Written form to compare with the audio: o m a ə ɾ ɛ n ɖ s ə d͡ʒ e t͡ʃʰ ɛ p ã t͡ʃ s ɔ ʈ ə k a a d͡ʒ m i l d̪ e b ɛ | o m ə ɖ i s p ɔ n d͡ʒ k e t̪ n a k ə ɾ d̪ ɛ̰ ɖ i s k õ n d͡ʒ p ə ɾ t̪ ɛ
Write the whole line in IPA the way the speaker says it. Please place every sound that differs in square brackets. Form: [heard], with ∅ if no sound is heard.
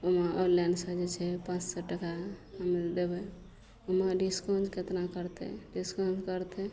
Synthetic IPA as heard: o m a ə [l] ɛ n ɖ s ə d͡ʒ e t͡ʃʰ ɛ p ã t͡ʃ s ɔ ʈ ə k a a [∅] m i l d̪ e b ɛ | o m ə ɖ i s [k] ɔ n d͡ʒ k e t̪ n a k ə ɾ [t̪] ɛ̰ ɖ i s k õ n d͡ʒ [k] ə ɾ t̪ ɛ